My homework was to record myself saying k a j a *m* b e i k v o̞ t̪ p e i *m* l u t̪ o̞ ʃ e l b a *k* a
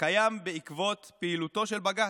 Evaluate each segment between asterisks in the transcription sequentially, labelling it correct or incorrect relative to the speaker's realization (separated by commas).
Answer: correct, incorrect, incorrect